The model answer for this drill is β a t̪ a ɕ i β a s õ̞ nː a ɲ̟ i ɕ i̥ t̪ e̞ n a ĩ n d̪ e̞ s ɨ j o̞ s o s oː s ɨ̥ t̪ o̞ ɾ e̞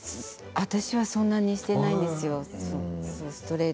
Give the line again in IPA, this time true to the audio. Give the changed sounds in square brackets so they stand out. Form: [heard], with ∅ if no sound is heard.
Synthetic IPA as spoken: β a t̪ a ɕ i β a s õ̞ nː a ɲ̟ i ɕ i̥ t̪ e̞ n a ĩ n d̪ e̞ s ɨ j o̞ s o s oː s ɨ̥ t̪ o̞ ɾ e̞

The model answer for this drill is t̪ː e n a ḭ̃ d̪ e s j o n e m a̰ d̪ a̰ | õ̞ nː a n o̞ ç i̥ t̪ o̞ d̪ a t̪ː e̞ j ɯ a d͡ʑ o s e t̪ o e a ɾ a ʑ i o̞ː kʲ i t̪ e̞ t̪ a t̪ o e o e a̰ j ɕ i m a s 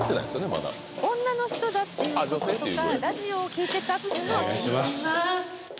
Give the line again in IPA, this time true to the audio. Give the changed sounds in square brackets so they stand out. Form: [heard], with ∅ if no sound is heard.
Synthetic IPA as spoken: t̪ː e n a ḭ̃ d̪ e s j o n e m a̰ d̪ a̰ | õ̞ nː a n o̞ ç i̥ t̪ o̞ d̪ a t̪ː e̞ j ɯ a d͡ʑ o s e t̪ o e a ɾ a ʑ i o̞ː kʲ [iː] t̪ e̞ t̪ a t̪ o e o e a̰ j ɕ i m a s

